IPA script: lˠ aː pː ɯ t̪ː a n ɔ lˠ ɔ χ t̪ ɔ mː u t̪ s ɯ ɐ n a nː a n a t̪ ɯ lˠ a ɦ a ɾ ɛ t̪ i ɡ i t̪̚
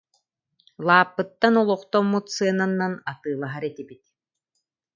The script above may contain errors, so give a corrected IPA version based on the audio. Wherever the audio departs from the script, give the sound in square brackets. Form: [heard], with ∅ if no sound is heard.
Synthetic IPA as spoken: lˠ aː pː ɯ t̪ː a n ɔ lˠ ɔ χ t̪ ɔ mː u t̪ s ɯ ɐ n a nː a n a t̪ [ɯː] lˠ a ɦ a ɾ ɛ t̪ i [b] i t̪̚